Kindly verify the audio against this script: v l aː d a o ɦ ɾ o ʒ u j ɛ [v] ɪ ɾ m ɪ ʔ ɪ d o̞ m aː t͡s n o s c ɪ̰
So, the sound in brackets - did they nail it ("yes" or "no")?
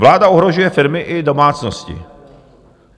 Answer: no